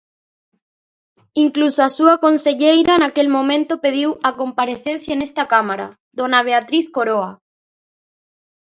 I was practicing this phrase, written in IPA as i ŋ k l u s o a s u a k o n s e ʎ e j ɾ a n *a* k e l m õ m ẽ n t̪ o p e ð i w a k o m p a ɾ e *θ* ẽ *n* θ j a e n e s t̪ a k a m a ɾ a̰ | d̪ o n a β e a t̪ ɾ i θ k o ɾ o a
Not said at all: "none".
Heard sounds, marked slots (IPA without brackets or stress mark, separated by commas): a, θ, n